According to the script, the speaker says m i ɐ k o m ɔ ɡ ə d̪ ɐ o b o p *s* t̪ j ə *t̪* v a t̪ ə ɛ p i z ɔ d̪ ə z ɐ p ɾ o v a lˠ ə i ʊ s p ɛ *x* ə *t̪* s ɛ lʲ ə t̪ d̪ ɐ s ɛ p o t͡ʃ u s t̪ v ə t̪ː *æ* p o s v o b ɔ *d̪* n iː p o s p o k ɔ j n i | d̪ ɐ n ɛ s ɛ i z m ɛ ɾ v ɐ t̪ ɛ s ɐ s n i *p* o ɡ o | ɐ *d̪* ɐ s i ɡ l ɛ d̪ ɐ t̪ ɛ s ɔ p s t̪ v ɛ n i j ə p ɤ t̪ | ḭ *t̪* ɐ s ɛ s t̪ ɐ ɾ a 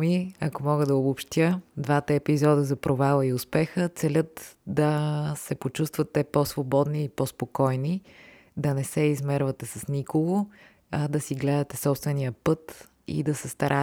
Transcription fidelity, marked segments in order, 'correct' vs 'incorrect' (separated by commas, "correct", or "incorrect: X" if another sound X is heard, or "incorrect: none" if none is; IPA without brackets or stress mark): incorrect: ʃ, incorrect: d̪, correct, correct, incorrect: ɛ, correct, incorrect: k, correct, incorrect: d̪